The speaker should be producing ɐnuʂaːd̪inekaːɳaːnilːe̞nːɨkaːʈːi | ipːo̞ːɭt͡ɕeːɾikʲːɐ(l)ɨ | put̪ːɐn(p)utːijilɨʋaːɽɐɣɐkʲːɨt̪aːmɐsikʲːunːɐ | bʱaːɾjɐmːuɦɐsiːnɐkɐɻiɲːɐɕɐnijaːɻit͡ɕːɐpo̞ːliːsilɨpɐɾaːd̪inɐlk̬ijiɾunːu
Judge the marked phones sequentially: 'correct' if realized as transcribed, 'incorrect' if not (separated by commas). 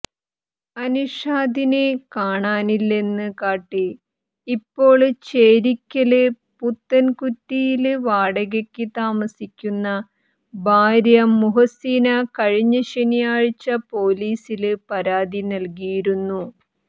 correct, incorrect